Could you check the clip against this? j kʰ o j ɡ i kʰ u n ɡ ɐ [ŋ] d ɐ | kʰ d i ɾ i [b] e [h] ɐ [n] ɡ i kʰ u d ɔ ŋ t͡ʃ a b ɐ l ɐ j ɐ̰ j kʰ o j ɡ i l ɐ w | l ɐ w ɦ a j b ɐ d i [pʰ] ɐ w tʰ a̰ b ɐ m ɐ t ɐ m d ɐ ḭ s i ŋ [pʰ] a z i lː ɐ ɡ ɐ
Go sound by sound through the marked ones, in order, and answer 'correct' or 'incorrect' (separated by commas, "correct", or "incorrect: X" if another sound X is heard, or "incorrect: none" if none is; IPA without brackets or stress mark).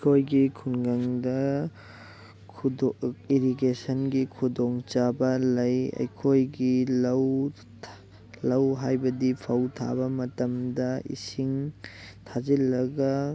correct, incorrect: ɡ, incorrect: s, correct, correct, incorrect: tʰ